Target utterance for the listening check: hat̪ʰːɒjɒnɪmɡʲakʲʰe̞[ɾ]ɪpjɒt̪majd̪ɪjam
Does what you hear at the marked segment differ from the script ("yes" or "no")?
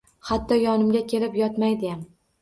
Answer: yes